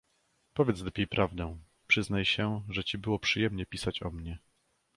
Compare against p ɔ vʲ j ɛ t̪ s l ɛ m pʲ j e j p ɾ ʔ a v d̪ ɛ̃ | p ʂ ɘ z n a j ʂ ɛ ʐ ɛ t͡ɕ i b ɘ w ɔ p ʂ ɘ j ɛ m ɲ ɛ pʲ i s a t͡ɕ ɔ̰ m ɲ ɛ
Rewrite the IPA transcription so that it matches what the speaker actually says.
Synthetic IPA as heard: p ɔ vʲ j ɛ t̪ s l ɛ pʲ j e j p ɾ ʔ a v d̪ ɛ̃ | p ʂ ɘ z n a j ɕ ɛ ʐ ɛ t͡ɕ i b ɘ w ɔ p ʂ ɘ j ɛ m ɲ ɛ pʲ i s a t͡ɕ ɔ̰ m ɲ ɛ